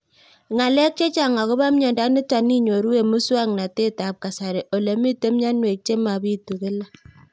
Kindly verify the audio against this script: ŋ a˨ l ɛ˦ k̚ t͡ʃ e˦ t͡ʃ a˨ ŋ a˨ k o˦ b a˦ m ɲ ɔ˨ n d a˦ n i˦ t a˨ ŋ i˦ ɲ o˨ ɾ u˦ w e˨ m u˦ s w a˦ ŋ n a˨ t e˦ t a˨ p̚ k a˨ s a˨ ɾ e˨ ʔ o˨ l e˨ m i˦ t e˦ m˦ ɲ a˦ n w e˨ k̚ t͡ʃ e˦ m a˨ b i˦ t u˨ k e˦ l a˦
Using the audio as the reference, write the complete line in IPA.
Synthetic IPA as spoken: ŋ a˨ l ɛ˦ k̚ t͡ʃ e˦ t͡ʃ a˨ ŋ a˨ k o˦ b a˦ m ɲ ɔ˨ n d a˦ n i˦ t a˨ n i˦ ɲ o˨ ɾ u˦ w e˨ m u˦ s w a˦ ŋ n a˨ t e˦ t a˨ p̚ k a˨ s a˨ ɾ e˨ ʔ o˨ l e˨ m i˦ t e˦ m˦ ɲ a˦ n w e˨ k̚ t͡ʃ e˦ m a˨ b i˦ t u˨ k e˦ l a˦